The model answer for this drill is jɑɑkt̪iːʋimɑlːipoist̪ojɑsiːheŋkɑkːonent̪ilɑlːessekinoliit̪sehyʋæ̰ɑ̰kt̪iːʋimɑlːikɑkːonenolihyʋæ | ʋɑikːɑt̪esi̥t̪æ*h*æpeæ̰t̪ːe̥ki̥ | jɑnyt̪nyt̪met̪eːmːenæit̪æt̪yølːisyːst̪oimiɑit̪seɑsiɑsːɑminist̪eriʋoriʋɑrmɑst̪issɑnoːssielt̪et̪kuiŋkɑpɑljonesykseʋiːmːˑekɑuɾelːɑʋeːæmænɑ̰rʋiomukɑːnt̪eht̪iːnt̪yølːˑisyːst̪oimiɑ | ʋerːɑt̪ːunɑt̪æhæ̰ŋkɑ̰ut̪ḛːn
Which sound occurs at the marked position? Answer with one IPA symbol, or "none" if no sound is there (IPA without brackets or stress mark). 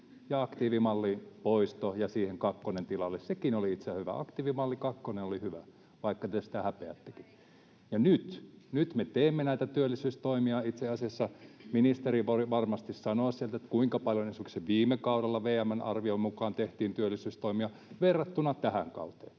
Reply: h